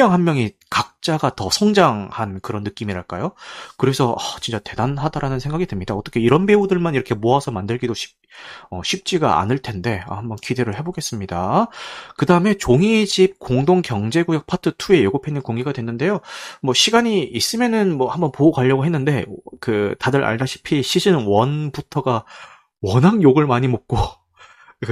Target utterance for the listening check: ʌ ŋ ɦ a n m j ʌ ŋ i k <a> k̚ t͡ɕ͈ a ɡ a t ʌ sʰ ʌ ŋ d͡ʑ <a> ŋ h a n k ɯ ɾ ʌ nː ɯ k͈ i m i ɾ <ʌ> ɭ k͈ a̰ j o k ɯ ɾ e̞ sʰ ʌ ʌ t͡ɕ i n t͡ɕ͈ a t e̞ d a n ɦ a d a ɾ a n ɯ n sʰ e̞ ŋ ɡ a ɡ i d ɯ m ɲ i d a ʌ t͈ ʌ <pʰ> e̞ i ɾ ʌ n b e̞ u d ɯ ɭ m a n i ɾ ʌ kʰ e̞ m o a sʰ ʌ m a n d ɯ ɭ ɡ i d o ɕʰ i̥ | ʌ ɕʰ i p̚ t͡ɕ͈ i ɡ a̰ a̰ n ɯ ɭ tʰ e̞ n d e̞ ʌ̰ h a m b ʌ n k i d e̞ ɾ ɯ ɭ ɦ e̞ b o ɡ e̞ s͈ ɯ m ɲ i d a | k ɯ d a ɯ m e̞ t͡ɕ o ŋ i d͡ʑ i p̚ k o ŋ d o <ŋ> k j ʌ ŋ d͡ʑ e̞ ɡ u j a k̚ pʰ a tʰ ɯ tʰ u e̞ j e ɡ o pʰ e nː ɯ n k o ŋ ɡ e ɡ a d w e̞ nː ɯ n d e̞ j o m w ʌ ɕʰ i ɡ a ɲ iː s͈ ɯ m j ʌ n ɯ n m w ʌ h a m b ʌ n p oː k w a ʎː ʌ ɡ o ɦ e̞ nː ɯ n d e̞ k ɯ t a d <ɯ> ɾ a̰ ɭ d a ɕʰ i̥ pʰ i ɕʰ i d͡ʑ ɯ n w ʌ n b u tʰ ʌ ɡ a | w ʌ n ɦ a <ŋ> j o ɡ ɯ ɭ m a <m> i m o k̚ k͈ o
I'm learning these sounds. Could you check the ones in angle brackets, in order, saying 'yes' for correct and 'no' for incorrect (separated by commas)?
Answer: yes, yes, no, no, yes, yes, yes, no